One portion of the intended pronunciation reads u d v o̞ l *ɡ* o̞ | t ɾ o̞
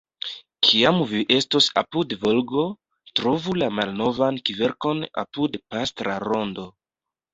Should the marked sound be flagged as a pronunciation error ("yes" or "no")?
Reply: no